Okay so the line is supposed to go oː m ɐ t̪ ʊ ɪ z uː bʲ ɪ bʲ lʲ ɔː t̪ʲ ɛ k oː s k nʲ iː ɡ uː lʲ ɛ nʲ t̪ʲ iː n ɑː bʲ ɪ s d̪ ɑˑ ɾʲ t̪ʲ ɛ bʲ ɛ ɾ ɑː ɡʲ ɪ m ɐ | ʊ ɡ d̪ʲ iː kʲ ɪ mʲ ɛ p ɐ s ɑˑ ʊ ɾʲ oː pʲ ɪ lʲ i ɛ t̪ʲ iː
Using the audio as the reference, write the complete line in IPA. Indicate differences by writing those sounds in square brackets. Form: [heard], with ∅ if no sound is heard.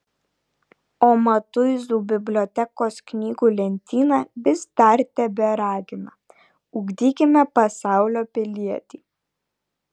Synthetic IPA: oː m ɐ t̪ ʊ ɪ z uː bʲ ɪ bʲ lʲ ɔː t̪ʲ ɛ k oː s k nʲ iː ɡ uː lʲ ɛ nʲ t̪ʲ iː n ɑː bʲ ɪ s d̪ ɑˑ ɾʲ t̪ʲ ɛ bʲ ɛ ɾ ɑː ɡʲ ɪ m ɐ | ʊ ɡ d̪ʲ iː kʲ ɪ mʲ ɛ p ɐ s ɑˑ ʊ [lʲ] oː pʲ ɪ lʲ i ɛ t̪ʲ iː